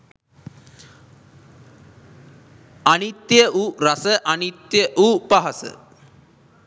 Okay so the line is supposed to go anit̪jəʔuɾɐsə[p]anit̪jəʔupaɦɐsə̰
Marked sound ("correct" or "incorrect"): incorrect